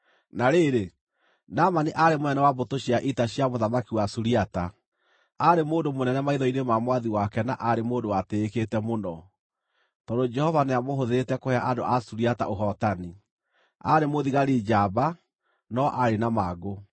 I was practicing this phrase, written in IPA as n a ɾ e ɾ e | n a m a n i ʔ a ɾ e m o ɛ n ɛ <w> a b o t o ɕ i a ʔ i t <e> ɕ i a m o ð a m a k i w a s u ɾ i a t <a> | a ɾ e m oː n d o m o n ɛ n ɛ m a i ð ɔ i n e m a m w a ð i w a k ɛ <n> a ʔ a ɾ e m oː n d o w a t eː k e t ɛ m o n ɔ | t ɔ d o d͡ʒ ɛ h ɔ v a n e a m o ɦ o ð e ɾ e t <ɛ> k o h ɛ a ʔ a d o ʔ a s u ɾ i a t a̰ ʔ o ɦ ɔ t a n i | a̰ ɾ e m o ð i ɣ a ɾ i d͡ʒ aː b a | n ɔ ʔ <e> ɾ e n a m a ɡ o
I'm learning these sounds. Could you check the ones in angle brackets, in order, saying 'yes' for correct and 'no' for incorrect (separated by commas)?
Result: yes, no, yes, yes, yes, no